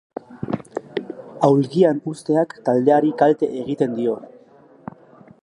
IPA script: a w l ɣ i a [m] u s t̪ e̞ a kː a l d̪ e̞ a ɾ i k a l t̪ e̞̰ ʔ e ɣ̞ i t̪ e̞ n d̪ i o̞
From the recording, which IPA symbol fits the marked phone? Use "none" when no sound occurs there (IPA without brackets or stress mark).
n